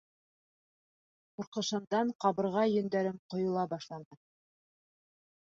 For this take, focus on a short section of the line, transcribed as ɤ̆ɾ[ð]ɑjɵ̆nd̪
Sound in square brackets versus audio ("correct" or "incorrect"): incorrect